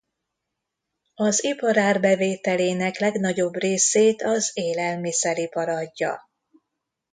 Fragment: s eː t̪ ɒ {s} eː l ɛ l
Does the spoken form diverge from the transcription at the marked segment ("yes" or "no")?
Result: yes